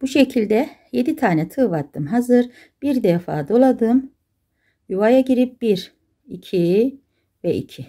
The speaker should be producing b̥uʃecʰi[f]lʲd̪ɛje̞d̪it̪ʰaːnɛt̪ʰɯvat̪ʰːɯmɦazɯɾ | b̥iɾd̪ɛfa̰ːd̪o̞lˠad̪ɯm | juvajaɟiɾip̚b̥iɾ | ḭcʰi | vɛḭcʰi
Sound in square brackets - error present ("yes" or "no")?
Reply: yes